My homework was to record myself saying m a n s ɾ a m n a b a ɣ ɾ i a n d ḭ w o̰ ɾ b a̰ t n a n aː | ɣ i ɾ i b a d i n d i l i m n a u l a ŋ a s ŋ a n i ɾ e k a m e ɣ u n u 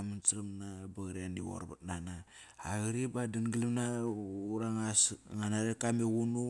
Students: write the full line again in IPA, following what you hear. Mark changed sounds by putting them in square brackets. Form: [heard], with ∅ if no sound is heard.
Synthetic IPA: m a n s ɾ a m n a b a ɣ ɾ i a n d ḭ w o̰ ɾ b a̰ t n a n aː | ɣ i ɾ i b a d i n [ɡ] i l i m n a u [ɾ] a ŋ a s ŋ a n [a] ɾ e k a m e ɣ u n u